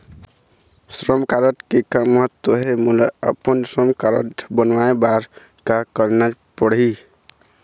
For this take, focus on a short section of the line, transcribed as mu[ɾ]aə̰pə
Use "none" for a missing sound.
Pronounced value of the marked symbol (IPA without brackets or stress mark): l